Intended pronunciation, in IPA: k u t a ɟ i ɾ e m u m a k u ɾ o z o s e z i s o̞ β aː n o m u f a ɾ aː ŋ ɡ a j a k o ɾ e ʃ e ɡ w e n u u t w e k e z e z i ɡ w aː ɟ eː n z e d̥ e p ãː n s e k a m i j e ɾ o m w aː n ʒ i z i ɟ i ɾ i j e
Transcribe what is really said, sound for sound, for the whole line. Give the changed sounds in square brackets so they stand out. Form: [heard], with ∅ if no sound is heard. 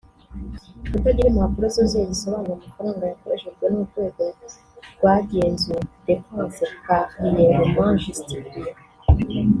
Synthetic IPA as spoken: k u t a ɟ i ɾ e m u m a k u ɾ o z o [z] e z i s o̞ β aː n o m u f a ɾ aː ŋ ɡ a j a k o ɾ e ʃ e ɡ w e n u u t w e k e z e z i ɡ w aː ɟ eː n z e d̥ e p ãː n s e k a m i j e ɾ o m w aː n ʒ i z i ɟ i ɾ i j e